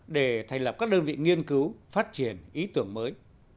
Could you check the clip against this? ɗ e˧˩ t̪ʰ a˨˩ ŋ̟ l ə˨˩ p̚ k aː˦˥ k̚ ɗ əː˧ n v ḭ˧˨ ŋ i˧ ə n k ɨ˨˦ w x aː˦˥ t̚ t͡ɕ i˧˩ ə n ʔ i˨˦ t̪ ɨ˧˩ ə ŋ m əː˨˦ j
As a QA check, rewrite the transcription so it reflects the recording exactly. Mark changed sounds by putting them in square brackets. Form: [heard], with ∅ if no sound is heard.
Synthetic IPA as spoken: ɗ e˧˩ t̪ʰ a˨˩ ŋ̟ l ə˨˩ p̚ k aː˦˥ k̚ ɗ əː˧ n v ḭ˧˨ ŋ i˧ ə n k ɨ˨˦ w [f] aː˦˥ t̚ t͡ɕ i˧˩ ə n ʔ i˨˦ t̪ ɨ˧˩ ə ŋ m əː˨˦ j